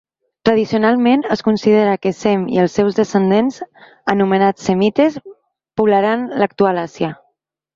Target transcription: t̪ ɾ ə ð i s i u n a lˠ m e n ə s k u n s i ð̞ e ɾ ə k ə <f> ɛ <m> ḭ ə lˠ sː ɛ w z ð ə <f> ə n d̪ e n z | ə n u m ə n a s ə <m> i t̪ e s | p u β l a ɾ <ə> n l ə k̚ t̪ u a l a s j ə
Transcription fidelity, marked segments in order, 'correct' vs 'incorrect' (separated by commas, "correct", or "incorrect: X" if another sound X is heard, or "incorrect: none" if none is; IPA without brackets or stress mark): incorrect: s, correct, incorrect: s, correct, incorrect: a